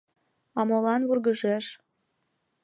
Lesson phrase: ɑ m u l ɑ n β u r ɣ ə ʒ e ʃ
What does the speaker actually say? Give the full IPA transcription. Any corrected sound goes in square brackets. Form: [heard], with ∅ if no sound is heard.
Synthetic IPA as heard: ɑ m [o] l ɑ n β u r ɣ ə ʒ e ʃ